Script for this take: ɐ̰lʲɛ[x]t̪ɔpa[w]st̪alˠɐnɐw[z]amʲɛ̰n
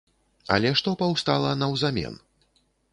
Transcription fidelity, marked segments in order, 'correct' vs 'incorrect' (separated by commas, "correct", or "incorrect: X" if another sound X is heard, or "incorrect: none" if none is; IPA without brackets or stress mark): incorrect: ʂ, correct, correct